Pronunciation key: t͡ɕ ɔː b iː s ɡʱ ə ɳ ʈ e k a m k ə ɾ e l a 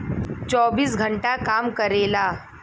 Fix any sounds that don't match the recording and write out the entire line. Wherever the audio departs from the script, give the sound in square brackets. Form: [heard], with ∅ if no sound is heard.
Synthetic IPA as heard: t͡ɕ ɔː b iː s ɡʱ ə ɳ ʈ [a] k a m k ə ɾ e l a